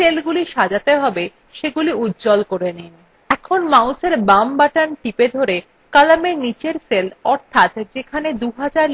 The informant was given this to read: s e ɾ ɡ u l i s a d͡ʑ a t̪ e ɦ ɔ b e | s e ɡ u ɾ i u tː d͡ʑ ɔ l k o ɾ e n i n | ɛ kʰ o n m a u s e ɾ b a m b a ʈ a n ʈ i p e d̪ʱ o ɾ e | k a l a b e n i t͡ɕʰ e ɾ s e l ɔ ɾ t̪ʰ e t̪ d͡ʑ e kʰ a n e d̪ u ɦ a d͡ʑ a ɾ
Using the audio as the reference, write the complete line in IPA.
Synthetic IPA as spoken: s e l ɡ u l i ʃ a d͡ʑ a t̪ e ɦ ɔ b e | ʃ e ɡ u l i u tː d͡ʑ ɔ l k o ɾ e n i n | ɛ kʰ o n m a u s e ɾ b a m b a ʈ a n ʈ i p e d̪ʱ o ɾ e | k a l a m e n i t͡ɕ e ɾ s e l ɔ ɾ t̪ʰ a t̪ d͡ʑ e kʰ a n e d̪ u ɦ a d͡ʑ a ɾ